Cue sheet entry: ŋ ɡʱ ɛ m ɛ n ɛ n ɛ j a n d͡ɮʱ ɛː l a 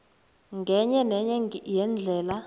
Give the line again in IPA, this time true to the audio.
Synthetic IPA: ŋ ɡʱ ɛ ɲ ɛ n ɛ ɲ ɛ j ɛ n d͡ɮʱ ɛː l a